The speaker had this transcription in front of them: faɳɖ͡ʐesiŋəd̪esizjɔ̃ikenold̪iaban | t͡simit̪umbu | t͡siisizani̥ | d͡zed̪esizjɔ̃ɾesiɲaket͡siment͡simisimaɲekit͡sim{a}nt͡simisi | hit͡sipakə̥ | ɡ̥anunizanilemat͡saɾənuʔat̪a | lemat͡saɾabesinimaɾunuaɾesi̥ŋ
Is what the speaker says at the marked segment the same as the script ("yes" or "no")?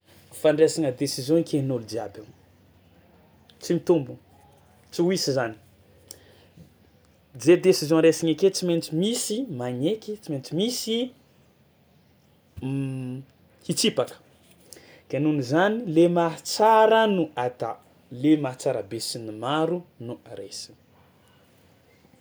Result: no